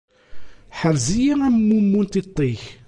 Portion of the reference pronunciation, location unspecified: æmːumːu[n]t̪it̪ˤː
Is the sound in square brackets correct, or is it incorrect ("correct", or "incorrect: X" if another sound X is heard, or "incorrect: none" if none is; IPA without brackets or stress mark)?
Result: correct